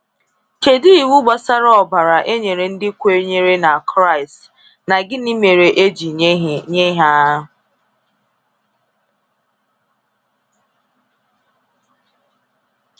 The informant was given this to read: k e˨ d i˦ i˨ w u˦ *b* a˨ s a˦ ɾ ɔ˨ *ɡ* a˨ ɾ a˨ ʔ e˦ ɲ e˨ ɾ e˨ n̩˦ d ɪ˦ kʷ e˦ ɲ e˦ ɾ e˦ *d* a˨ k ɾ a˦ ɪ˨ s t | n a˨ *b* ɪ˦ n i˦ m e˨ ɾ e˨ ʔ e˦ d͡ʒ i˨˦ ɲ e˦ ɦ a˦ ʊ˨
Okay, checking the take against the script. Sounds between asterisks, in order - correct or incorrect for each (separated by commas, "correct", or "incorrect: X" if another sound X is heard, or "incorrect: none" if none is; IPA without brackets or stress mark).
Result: incorrect: ɡ͡b, incorrect: b, incorrect: n, incorrect: ɡ